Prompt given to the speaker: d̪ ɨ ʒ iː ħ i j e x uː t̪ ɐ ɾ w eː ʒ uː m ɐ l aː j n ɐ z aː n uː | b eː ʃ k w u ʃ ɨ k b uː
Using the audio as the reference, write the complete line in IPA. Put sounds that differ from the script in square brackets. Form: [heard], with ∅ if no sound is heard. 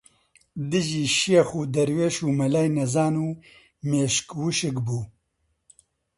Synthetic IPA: d̪ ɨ ʒ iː [ʃ] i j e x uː [d̪] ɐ ɾ w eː [ʃ] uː m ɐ l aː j n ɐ z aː n uː | [m] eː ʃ k w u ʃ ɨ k b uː

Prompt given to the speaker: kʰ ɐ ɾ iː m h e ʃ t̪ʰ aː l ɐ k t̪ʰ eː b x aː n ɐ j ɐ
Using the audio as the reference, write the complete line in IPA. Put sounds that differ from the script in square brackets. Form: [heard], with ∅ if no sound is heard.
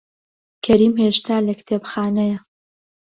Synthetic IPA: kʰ ɐ ɾ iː m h e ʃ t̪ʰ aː l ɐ k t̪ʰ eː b x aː n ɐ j ɐ

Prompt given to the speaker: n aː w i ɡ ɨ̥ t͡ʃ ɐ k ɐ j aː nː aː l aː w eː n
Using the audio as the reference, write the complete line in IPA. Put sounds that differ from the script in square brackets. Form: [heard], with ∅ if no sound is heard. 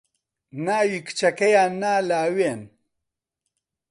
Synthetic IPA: n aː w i [k] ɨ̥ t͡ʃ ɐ k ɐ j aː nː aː l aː w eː n

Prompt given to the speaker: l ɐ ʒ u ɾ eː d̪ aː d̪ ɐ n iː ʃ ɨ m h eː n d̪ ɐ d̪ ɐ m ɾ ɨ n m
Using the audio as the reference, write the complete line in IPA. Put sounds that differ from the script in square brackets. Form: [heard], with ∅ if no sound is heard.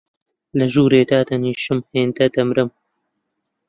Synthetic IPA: l ɐ ʒ [uː] ɾ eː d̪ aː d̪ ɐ n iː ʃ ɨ m h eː n d̪ ɐ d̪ ɐ m ɾ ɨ [∅] m

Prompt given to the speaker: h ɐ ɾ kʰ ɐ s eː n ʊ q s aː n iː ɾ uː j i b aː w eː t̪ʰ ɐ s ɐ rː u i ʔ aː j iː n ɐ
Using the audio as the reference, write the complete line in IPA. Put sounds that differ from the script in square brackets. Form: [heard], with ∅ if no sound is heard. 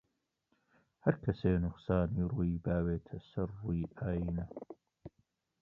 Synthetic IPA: h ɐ ɾ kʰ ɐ s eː n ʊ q s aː n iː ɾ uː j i b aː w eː t̪ʰ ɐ s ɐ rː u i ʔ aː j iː n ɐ

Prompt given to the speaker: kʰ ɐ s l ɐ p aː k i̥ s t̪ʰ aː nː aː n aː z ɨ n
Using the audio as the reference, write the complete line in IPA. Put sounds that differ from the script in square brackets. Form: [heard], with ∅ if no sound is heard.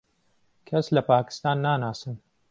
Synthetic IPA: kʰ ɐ s l ɐ p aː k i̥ s [t̪] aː nː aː n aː [s] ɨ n

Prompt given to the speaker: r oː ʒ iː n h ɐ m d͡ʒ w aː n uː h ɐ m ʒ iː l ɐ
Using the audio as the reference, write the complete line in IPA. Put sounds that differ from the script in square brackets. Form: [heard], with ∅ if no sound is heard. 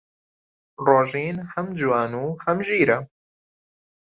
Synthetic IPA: r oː ʒ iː n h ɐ m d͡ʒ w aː n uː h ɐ m ʒ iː [ɾ] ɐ

